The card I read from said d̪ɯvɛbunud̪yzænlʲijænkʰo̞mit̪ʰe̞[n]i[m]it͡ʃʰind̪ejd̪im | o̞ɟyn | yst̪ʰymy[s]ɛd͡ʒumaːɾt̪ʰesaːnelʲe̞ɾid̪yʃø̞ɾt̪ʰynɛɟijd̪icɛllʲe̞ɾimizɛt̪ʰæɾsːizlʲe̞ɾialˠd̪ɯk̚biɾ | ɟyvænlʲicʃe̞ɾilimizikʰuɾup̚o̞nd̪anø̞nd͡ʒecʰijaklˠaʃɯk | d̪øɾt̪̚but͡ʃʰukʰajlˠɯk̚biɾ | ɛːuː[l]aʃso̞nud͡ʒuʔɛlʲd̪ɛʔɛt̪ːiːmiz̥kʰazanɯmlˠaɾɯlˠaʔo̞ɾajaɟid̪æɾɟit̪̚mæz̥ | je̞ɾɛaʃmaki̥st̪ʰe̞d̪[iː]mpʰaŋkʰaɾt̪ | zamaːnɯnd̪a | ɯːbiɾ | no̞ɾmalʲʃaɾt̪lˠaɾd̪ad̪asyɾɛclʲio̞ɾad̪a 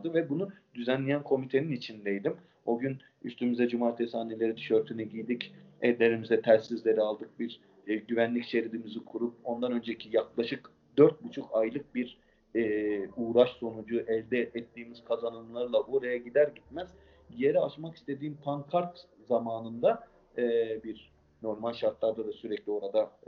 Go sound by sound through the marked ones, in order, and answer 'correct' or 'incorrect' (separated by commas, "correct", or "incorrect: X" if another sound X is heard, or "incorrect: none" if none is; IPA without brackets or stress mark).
correct, incorrect: n, incorrect: z, incorrect: ɾ, correct